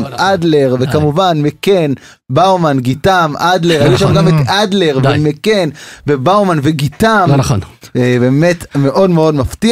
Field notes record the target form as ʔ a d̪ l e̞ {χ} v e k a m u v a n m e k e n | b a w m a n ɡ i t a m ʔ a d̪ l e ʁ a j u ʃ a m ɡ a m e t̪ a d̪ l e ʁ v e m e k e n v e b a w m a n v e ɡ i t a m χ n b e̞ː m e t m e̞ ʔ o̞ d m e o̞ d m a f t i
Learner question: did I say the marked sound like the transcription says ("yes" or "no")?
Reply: no